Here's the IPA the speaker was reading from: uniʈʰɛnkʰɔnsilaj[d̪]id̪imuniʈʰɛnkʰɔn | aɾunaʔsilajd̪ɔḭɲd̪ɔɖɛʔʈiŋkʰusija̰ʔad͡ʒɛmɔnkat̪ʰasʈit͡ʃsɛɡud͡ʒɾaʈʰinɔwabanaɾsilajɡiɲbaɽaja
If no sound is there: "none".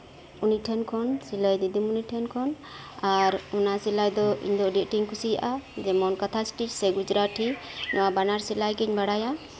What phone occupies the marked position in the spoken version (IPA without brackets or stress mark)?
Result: d̪